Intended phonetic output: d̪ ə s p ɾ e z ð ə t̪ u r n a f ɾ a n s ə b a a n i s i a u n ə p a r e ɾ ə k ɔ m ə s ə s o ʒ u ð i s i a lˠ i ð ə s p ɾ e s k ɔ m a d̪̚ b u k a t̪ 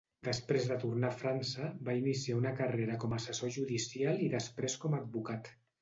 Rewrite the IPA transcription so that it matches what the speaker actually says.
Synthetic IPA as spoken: d̪ ə s p ɾ e z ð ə t̪ u r n a f ɾ a n s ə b a i n i s i a u n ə k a r e ɾ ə k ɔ m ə s ə s o ʒ u ð i s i a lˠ i ð ə s p ɾ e s k ɔ m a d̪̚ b u k a t̪